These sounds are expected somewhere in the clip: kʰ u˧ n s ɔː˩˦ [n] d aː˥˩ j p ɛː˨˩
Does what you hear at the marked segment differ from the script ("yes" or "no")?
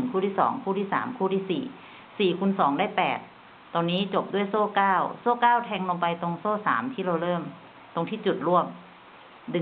yes